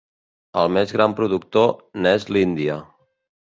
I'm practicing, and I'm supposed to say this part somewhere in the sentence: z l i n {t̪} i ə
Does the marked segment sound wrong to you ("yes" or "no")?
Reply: yes